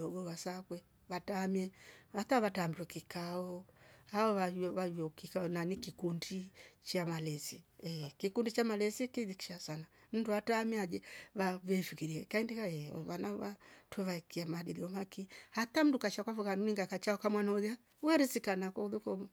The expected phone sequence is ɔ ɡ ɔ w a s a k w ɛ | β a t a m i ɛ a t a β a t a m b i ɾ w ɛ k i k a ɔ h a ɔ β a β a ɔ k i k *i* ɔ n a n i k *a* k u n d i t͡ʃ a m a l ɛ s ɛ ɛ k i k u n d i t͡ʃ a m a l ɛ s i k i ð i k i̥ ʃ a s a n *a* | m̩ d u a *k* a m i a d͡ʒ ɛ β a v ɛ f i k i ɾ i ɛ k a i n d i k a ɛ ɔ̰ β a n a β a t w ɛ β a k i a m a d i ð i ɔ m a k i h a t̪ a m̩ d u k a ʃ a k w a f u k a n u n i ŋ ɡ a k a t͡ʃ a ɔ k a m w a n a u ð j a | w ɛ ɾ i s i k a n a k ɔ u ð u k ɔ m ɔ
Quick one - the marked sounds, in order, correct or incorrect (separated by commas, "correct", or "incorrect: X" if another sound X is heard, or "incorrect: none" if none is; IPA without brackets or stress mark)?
incorrect: a, incorrect: i, correct, incorrect: t